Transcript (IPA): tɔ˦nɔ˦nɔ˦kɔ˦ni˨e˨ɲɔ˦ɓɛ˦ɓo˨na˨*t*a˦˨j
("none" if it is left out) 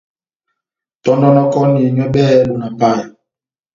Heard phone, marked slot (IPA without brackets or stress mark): p